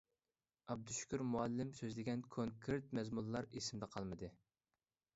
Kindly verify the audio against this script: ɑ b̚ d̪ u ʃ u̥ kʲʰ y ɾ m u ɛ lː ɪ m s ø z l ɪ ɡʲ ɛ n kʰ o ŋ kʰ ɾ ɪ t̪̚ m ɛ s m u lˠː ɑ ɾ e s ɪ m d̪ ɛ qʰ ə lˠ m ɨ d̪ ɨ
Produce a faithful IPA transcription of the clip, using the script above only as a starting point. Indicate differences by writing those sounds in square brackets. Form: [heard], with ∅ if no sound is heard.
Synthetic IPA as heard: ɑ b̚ d̪ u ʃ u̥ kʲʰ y ɾ m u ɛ lː ɪ m s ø z l ɪ ɡʲ ɛ n kʰ o ŋ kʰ ɾ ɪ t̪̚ m ɛ [z] m u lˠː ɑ ɾ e s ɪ m d̪ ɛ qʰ [ɑ] lˠ m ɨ d̪ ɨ